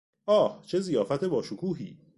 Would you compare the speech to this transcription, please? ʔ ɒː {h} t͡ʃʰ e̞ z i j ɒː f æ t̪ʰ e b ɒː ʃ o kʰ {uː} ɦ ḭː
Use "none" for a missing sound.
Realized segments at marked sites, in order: h, uː

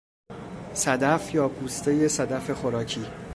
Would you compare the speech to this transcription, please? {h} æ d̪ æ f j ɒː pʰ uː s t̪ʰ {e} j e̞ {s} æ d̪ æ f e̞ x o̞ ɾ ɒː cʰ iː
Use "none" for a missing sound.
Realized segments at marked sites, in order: s, e, s

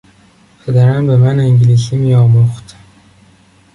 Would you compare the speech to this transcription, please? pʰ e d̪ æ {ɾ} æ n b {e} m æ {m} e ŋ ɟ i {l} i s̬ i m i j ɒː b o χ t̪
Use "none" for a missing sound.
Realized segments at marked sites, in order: ɾ, e, n, l

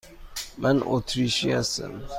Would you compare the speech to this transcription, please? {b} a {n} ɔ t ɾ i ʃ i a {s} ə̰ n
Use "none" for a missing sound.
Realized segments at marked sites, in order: m, n, s

